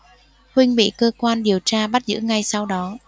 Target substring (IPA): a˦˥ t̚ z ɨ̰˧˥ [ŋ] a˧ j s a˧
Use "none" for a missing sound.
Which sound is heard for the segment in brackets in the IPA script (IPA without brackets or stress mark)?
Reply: ŋ